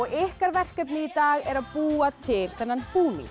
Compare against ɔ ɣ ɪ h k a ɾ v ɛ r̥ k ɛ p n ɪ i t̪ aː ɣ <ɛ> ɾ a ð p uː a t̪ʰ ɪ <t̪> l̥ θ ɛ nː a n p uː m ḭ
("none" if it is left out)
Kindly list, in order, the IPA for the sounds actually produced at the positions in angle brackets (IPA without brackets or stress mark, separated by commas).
ɛ, none